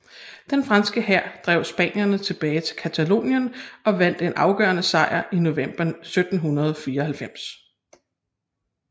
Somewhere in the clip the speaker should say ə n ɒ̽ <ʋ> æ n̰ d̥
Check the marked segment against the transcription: correct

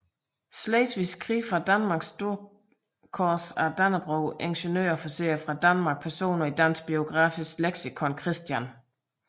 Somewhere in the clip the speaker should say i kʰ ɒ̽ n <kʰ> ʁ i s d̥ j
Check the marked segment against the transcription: correct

